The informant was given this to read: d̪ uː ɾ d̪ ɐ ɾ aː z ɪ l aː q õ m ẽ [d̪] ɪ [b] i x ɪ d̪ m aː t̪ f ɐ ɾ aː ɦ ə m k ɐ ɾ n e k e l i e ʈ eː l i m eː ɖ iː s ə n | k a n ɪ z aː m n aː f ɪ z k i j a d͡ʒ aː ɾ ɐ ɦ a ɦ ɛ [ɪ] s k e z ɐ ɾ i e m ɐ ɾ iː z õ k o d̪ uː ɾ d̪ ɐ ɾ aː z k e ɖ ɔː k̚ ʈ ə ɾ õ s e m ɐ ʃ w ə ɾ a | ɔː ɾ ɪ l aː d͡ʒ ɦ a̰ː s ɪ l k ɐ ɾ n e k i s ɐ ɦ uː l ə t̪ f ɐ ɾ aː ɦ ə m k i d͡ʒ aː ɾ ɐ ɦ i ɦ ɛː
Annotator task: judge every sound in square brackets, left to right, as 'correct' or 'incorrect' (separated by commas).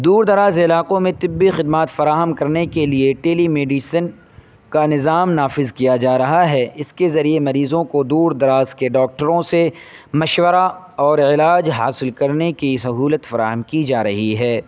incorrect, incorrect, correct